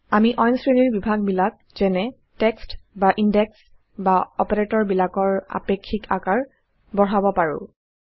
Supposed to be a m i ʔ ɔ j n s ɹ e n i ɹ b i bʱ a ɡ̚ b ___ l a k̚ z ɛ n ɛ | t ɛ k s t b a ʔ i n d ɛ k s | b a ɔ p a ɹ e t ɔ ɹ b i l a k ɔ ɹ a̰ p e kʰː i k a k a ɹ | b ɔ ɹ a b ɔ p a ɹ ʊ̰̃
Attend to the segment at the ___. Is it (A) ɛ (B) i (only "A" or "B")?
B